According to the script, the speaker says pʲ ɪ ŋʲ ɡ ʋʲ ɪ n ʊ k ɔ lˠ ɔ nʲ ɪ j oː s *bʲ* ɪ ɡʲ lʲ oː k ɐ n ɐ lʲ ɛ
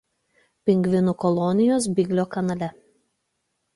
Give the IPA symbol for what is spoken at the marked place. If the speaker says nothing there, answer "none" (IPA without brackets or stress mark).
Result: bʲ